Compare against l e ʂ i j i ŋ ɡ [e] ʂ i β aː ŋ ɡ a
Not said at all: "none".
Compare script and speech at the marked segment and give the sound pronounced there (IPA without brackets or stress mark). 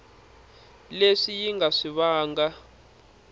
a